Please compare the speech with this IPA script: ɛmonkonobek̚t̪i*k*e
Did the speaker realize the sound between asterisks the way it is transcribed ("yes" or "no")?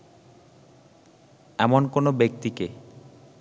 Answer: yes